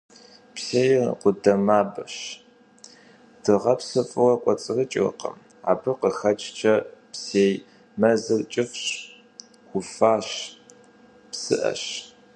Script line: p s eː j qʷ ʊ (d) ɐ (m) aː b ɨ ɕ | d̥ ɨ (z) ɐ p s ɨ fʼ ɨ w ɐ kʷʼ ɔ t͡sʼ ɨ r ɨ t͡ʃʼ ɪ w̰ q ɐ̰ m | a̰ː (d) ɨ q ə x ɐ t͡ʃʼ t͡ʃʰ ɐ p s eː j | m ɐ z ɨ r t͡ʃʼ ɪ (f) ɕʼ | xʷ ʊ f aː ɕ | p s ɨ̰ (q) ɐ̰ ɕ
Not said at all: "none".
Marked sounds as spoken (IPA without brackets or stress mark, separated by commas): d, m, ʁ, b, f, ʔ